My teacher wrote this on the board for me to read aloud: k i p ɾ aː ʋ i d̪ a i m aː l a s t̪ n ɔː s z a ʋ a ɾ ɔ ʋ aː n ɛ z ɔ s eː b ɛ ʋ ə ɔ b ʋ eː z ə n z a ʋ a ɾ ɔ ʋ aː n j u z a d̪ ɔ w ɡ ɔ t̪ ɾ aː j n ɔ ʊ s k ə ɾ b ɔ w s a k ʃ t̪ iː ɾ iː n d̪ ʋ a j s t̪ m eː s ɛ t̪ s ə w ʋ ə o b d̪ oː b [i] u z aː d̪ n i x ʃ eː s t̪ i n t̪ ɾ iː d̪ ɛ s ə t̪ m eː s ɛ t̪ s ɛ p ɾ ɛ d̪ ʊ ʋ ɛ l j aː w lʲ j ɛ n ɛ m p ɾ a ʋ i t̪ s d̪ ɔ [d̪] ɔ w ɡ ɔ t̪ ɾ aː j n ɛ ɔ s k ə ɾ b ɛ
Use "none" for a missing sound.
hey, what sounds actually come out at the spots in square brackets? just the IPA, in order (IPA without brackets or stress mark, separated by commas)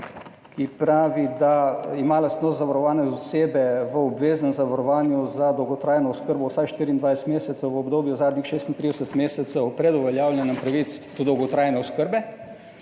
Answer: j, d̪